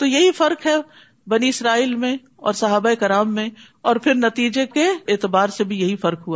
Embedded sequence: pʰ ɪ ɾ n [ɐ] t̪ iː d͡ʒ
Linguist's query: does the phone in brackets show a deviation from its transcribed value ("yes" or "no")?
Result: no